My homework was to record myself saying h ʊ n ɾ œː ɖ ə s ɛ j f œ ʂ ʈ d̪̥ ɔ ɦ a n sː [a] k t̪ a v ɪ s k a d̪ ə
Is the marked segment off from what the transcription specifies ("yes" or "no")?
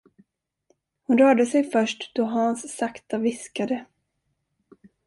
no